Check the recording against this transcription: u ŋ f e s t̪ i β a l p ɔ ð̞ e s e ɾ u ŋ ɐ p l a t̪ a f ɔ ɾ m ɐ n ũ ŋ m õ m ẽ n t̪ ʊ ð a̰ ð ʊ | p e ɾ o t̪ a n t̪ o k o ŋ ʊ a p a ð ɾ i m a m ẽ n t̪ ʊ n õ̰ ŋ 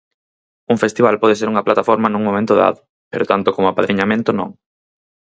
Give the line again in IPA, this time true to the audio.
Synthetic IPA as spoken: u ŋ f e s t̪ i β a l p ɔ ð̞ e s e ɾ u ŋ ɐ p l a t̪ a f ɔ ɾ m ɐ n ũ ŋ m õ m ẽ n t̪ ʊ ð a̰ ð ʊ | p e ɾ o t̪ a n t̪ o k o m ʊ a p a ð ɾ i ɲ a m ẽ n t̪ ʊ n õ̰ ŋ